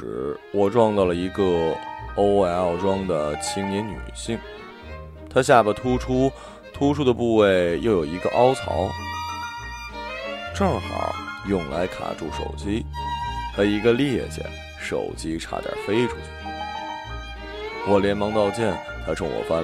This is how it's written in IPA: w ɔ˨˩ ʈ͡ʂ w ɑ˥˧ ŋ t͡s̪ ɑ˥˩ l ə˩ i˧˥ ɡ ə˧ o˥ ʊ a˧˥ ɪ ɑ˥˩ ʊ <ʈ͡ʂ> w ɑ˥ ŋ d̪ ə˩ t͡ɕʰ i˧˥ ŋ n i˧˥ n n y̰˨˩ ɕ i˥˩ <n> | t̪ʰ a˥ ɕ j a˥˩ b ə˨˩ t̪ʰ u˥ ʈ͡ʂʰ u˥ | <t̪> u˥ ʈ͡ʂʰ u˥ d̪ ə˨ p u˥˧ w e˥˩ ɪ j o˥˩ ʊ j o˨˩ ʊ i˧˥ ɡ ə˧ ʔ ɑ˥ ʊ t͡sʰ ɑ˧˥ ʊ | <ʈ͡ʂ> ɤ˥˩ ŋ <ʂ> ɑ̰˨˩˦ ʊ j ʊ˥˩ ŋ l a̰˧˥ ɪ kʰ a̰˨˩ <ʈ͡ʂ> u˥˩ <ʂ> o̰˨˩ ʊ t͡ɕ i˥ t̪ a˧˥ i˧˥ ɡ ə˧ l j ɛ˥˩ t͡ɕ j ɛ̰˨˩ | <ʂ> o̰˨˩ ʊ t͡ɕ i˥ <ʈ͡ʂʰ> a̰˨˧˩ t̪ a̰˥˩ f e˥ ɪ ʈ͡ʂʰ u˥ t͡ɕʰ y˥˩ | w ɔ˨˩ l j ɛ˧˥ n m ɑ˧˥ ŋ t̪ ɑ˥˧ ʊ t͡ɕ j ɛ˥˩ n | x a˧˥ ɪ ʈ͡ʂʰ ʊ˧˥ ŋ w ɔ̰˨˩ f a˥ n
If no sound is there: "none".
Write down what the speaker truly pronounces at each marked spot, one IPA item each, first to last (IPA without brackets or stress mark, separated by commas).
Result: ʈ͡ʂ, ŋ, t̪ʰ, ʈ͡ʂ, x, ʈ͡ʂ, ʂ, ʂ, ʈ͡ʂʰ